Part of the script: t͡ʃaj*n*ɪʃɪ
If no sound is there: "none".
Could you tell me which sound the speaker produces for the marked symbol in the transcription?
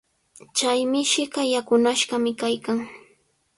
m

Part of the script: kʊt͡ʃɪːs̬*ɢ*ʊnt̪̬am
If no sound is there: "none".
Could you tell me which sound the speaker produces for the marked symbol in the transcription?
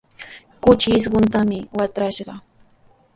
ɢ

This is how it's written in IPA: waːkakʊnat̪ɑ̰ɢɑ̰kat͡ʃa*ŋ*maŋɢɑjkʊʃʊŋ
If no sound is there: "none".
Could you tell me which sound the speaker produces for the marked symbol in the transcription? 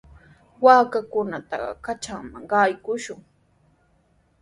ŋ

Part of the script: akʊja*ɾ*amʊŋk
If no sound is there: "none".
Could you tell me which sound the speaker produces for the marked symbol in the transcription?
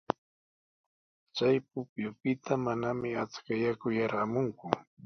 ɾ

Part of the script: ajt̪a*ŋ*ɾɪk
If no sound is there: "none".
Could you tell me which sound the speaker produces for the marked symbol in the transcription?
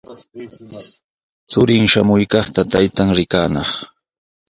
ŋ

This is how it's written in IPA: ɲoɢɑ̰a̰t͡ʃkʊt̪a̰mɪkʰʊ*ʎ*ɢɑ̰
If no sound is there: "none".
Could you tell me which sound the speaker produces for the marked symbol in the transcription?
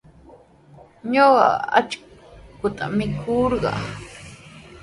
ɾ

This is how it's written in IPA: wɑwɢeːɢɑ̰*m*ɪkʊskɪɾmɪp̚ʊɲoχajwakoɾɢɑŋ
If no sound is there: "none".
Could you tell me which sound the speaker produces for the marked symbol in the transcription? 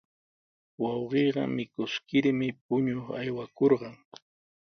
m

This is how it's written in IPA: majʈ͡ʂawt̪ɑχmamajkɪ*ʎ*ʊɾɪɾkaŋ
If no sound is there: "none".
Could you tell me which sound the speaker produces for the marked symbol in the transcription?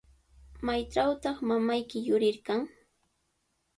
j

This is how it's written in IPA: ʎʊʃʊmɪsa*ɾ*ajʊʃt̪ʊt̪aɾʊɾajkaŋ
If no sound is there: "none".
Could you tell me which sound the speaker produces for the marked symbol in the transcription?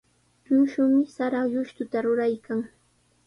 ɾ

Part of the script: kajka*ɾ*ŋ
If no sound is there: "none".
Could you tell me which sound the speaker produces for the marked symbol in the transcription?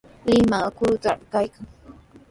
none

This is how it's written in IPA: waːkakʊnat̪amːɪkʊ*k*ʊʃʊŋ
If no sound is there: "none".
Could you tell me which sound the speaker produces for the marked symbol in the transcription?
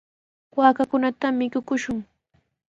k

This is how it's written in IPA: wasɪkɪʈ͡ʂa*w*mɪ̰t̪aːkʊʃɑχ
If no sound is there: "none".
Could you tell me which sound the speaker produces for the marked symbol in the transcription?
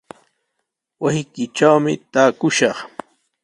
w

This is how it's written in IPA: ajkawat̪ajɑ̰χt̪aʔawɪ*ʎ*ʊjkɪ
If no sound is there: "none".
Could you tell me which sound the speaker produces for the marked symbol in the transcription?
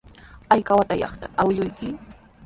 ʎ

